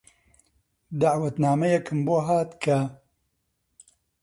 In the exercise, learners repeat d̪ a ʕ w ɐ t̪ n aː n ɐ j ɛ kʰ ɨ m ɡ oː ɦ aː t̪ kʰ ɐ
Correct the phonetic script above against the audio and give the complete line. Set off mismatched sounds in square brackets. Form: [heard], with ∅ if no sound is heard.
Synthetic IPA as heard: d̪ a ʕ w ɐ t̪ n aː [m] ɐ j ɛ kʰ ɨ m [b] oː ɦ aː t̪ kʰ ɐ